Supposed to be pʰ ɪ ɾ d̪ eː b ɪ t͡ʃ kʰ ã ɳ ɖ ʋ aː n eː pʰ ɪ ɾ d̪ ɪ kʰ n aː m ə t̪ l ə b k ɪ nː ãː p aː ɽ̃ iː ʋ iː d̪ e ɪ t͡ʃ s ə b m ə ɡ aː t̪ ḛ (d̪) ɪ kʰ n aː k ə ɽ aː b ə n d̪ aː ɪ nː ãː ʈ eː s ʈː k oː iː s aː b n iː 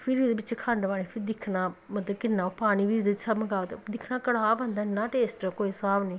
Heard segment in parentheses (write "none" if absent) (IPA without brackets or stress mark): d̪